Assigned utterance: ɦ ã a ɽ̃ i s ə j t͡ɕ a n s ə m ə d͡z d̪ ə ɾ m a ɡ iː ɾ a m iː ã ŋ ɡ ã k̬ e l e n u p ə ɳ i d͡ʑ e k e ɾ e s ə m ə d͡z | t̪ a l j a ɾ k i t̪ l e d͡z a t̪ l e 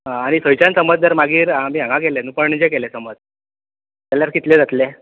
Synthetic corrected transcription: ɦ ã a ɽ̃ i s ə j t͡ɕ a n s ə m ə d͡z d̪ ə ɾ m a ɡ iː ɾ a m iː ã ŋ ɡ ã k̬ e l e n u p ə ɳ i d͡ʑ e k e l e s ə m ə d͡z | t̪ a l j a ɾ k i t̪ l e d͡z a t̪ l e